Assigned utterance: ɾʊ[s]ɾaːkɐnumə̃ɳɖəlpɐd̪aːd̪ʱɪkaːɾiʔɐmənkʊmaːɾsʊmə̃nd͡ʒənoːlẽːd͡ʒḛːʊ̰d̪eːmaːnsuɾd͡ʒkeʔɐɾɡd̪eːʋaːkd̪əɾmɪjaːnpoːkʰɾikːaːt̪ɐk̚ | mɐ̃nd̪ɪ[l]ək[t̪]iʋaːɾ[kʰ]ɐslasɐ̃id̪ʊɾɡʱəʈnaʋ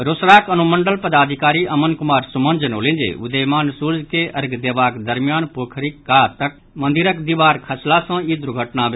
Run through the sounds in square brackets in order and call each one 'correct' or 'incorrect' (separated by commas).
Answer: correct, incorrect, incorrect, correct